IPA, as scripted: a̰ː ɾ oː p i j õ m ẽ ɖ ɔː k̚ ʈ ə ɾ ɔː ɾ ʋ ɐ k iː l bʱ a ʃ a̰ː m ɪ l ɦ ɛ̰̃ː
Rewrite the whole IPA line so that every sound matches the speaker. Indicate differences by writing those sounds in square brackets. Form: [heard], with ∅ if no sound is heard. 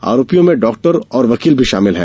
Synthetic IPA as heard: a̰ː ɾ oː p i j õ m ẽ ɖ ɔː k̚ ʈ ə ɾ ɔː ɾ ʋ ɐ k iː l bʱ [i] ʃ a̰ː m ɪ l ɦ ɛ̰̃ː

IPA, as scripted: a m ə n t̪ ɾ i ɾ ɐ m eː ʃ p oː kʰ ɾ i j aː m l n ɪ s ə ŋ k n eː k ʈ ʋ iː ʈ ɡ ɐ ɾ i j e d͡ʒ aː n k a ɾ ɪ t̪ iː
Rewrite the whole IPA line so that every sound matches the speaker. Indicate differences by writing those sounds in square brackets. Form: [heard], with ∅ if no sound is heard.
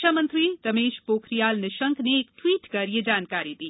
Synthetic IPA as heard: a m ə n t̪ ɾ i ɾ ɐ m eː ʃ p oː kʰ ɾ i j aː [∅] l n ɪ [ʃ] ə ŋ k n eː k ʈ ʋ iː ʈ [k] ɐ ɾ i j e d͡ʒ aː n k a ɾ [i] t̪ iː

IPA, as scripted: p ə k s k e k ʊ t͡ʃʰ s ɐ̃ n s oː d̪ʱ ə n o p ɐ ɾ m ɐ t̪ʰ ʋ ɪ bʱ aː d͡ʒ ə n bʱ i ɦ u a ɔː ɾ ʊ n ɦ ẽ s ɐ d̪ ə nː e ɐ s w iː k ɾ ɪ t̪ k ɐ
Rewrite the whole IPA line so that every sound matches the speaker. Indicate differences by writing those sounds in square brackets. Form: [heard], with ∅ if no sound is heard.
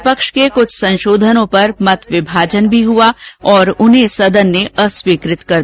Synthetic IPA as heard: p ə k [ʃ] k e k ʊ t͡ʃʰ s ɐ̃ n [ʃ] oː d̪ʱ ə n [õ] p ɐ ɾ m ɐ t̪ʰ ʋ ɪ bʱ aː d͡ʒ ə n bʱ i ɦ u a ɔː ɾ ʊ n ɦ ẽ s ɐ d̪ ə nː e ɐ s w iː k ɾ ɪ t̪ k ɐ

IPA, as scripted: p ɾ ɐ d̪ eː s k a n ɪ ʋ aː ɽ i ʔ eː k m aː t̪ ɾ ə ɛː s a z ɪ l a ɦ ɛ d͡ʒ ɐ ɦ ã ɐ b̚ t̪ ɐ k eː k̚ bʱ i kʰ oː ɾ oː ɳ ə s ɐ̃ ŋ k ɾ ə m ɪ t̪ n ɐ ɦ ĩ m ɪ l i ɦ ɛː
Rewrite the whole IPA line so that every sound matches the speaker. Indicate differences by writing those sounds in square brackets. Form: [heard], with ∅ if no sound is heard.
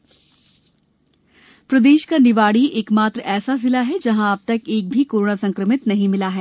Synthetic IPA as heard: p ɾ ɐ d̪ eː [ʃ] k a n ɪ ʋ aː ɽ i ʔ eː k m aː t̪ ɾ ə ɛː s a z ɪ l a ɦ ɛ d͡ʒ ɐ ɦ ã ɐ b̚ t̪ ɐ k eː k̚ bʱ i [k] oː ɾ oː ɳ [a] s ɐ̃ ŋ k ɾ ə m ɪ t̪ n ɐ ɦ ĩ m ɪ l [a] ɦ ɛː

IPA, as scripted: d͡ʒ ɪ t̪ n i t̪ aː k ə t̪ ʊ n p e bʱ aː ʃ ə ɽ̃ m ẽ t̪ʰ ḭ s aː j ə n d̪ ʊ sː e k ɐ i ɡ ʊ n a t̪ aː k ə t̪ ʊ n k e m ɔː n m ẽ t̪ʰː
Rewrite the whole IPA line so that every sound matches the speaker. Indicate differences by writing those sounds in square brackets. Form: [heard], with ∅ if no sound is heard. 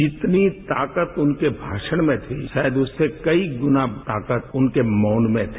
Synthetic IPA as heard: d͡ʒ ɪ t̪ n i t̪ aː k ə t̪ ʊ n [k] e bʱ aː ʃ ə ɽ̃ m ẽ t̪ʰ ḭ [ʃ] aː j ə [∅] d̪ ʊ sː e k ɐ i ɡ ʊ n a t̪ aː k ə t̪ ʊ n k e m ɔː n m ẽ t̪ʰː

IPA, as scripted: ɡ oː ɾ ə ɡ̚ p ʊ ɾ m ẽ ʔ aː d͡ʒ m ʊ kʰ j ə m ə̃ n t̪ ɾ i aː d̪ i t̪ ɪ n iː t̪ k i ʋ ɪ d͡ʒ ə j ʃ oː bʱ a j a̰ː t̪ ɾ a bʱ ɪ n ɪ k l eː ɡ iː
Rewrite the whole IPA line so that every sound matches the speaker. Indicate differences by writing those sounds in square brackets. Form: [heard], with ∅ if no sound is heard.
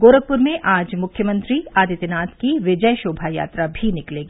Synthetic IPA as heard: ɡ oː ɾ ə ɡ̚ p ʊ ɾ m ẽ ʔ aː d͡ʒ m ʊ kʰ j ə m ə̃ n t̪ ɾ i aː d̪ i t̪ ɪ n [aː] t̪ k i ʋ ɪ d͡ʒ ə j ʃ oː bʱ a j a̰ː t̪ ɾ a bʱ [i] n ɪ k l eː ɡ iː

